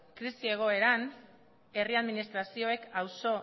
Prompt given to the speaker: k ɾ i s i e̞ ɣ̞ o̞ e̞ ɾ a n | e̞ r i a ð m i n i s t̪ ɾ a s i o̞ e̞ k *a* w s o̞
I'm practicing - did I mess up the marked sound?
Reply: no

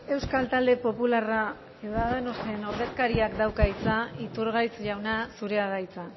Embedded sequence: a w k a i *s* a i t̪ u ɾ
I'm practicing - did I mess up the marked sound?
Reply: yes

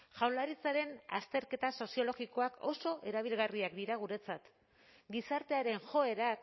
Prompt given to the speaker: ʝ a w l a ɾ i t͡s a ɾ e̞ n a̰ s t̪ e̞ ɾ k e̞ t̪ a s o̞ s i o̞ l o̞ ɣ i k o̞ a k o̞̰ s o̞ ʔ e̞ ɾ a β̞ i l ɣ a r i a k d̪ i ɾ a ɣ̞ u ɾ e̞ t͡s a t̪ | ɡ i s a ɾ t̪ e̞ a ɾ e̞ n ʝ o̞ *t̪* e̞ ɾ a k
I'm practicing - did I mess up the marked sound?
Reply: yes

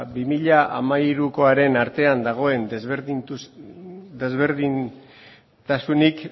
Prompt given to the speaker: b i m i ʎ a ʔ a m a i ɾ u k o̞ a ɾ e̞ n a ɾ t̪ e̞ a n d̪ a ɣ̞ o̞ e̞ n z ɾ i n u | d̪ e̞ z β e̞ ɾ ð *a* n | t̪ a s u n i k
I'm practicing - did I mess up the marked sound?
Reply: yes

